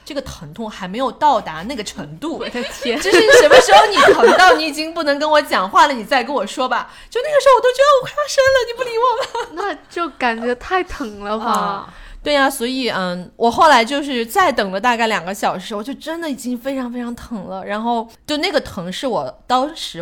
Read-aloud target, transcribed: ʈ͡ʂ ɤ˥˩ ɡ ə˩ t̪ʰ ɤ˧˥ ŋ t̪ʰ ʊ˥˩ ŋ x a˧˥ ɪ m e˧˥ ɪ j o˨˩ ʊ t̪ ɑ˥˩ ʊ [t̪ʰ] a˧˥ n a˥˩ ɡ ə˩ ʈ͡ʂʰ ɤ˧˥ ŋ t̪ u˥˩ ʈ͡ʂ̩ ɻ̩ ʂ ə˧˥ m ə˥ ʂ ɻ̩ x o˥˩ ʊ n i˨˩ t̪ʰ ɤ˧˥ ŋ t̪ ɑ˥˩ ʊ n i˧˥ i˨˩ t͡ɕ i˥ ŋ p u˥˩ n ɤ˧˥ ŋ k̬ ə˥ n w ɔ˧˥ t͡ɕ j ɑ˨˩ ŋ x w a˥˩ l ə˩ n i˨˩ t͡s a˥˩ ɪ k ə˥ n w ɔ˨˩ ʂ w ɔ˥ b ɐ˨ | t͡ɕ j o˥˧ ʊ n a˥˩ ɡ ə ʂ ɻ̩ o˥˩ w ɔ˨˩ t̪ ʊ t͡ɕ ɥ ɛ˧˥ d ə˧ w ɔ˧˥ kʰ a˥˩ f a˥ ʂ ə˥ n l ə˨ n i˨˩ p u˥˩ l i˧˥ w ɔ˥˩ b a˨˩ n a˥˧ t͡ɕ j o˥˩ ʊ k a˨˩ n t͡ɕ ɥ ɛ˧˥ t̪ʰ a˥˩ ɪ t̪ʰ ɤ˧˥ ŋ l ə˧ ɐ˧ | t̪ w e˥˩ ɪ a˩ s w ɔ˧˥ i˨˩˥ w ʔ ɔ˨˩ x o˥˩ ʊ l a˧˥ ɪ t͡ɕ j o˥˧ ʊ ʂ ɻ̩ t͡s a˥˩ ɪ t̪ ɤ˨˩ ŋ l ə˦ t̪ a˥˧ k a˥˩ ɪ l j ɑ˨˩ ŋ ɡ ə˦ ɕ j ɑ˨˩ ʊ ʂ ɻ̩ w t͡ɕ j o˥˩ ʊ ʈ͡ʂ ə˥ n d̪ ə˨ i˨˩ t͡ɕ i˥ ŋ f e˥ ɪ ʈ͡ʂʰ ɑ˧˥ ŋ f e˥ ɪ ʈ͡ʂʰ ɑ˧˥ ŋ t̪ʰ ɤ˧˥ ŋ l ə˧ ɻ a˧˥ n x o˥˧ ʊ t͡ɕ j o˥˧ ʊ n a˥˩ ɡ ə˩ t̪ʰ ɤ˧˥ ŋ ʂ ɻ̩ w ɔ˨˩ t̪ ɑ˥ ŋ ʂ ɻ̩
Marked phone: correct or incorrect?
incorrect